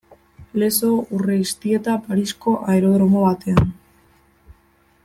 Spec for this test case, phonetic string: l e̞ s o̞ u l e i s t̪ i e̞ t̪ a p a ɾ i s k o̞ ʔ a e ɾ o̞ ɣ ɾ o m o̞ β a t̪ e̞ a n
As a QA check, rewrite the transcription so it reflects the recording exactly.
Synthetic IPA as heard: l e̞ s o̞ u r e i s t̪ i e̞ t̪ a p a ɾ i s k o̞ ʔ a e ɾ o̞ ð ɾ o m o̞ β a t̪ e̞ a n